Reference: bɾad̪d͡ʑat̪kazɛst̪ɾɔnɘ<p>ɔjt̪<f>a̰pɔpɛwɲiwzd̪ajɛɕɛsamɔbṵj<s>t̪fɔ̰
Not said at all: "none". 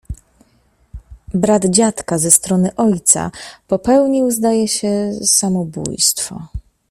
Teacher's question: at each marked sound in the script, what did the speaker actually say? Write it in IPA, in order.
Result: ʔ, s, s

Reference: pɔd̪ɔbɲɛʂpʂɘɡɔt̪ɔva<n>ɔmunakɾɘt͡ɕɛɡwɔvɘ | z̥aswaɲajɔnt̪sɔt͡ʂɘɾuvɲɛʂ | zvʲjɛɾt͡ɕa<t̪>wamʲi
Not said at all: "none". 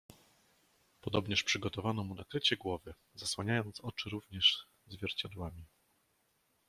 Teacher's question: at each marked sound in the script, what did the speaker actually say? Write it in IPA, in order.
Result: n, d̪

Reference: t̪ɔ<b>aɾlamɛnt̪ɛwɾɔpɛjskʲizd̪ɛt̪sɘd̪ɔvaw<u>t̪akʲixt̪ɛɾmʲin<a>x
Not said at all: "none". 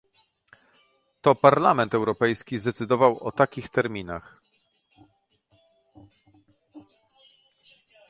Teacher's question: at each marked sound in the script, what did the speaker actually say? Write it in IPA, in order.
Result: p, ɔ, a

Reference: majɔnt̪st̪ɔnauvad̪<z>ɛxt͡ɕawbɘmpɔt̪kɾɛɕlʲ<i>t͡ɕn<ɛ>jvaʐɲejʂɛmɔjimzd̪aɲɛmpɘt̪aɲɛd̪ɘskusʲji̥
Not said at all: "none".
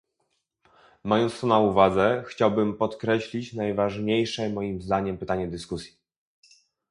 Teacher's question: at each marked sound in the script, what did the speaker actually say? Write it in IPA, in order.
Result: z, i, a

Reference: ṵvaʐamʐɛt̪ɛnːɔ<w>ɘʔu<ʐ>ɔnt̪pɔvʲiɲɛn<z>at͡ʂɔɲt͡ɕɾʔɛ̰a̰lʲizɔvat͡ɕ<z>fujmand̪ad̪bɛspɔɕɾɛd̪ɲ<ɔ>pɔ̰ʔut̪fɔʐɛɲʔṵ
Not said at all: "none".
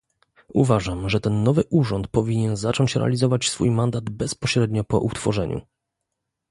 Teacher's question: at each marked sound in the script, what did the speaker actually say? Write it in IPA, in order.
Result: v, ʐ, z, s, ɔ

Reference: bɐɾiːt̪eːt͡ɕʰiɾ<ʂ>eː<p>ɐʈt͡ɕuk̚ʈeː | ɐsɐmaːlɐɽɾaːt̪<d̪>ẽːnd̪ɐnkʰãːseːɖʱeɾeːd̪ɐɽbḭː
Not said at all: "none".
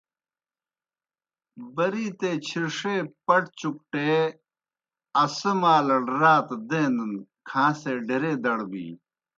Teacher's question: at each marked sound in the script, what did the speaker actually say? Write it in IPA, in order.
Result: ʂ, p, d̪

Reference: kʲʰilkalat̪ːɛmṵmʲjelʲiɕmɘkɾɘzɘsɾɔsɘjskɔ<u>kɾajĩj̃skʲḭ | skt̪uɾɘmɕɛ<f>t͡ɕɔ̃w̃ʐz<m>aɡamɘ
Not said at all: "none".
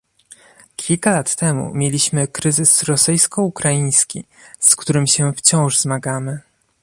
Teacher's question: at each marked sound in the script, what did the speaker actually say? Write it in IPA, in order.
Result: u, f, m

